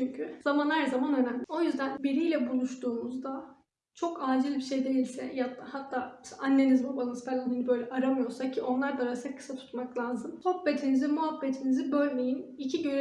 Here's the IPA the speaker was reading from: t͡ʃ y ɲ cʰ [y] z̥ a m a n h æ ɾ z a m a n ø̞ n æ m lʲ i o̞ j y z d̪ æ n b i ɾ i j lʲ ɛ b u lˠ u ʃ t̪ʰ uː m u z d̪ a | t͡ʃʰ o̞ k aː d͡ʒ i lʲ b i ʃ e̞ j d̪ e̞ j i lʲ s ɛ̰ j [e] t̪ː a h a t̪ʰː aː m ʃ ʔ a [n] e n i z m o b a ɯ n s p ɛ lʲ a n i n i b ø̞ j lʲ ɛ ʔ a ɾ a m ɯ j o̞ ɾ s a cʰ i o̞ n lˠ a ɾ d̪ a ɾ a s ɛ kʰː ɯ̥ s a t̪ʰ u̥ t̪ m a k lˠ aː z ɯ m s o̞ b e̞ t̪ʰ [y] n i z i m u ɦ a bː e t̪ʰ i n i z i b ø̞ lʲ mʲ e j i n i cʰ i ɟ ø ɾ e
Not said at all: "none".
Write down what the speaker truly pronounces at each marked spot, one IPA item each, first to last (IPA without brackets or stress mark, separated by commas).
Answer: y, a, nː, i